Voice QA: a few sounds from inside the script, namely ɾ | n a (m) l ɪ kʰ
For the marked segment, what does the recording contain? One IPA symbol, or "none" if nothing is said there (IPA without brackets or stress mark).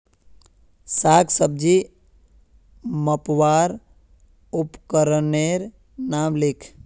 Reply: m